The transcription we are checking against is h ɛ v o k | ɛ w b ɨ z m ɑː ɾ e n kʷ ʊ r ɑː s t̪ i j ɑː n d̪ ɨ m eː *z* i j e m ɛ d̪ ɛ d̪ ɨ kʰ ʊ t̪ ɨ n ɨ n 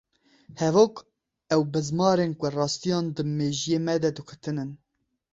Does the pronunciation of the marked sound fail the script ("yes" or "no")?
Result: yes